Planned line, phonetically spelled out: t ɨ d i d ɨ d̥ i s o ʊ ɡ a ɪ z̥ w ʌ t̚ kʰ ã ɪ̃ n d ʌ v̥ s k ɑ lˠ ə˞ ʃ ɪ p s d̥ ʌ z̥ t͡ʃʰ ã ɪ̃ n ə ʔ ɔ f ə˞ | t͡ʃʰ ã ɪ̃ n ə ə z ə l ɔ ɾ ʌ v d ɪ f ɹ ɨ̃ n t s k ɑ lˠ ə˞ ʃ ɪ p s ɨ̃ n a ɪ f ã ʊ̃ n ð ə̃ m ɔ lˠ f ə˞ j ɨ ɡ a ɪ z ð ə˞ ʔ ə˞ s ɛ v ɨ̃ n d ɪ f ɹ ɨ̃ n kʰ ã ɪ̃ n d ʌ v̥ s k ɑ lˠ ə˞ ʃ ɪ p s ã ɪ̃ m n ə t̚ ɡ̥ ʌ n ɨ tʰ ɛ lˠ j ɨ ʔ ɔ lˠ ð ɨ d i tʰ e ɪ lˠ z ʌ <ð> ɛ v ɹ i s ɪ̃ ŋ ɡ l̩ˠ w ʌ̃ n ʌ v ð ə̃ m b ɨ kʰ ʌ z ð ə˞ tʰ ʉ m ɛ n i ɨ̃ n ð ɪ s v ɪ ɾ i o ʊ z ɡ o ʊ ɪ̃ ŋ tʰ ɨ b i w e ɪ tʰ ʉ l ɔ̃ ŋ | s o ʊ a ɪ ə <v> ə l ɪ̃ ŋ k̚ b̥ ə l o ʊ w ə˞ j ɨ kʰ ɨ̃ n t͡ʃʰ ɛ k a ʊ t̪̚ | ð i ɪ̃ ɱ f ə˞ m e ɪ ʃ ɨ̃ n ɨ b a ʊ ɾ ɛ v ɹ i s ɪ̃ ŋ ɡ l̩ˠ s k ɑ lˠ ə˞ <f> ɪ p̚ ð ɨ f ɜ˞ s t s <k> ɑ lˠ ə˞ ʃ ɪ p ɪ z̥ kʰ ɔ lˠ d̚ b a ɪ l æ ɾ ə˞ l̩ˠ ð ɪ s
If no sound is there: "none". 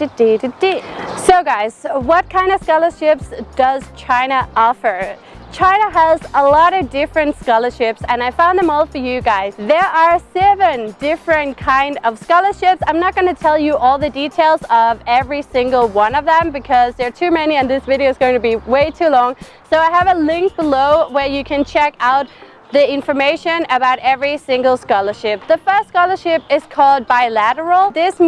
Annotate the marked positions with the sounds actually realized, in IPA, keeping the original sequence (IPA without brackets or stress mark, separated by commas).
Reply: v, v, ʃ, k